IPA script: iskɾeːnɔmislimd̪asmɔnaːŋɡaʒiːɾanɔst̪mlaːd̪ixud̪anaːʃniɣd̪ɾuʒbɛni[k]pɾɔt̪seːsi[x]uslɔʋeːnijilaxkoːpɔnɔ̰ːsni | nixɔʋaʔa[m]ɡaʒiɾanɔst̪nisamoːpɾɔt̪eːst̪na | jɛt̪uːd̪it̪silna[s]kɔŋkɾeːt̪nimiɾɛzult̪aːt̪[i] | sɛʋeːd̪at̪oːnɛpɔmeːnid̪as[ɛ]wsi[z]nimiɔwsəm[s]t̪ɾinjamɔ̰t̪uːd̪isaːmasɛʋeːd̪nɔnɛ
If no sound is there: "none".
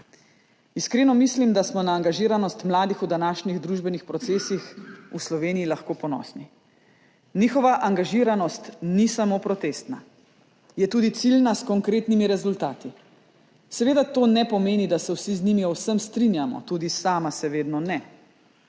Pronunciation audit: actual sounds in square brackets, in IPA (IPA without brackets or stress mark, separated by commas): x, x, ŋ, s, i, ɛ, z, s